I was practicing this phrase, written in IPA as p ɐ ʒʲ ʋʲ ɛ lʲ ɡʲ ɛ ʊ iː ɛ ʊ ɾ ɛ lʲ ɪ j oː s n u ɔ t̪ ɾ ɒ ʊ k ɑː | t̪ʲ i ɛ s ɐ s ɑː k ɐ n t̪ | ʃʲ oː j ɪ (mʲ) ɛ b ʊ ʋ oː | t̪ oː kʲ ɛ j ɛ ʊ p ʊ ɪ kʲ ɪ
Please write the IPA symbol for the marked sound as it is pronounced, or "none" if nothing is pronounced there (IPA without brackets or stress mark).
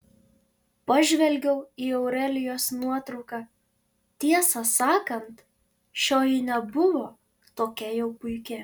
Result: nʲ